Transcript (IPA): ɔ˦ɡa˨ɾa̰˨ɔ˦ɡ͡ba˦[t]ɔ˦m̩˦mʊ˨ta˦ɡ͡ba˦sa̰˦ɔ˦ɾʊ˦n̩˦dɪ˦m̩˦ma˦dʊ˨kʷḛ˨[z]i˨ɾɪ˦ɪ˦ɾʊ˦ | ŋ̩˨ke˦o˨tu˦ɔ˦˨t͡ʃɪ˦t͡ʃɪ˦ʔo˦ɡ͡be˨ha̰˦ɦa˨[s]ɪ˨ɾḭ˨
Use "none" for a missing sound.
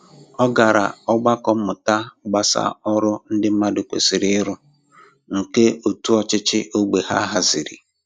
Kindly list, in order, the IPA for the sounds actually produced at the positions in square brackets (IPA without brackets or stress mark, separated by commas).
k, s, z